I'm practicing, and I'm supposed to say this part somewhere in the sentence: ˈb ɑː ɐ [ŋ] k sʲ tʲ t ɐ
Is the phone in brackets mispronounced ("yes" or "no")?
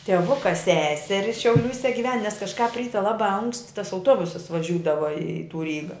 no